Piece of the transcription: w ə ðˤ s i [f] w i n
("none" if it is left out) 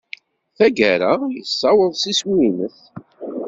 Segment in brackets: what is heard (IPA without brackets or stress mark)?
s